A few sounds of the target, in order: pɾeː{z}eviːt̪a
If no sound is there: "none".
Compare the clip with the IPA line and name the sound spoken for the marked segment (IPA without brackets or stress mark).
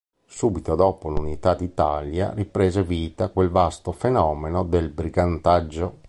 z